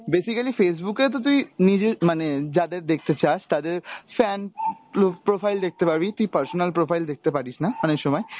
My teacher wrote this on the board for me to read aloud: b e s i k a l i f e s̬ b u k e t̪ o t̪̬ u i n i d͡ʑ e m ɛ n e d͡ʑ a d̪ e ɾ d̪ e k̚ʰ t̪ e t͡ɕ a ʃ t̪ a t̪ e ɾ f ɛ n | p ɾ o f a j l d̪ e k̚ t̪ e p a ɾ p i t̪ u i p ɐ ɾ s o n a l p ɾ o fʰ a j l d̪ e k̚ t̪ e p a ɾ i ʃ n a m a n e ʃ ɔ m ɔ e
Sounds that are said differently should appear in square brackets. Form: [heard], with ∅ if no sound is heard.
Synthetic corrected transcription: b e s i k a l i f e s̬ b u k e t̪ o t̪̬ u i n i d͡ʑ e m [a] n e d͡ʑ a d̪ e ɾ d̪ e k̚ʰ t̪ e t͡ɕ a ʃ t̪ a [d̪] e ɾ f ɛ n | p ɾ o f a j l d̪ e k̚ t̪ e p a ɾ [b] i t̪ u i p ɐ ɾ s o n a l p ɾ o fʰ a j l d̪ e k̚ t̪ e p a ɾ i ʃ n a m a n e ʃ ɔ m ɔ e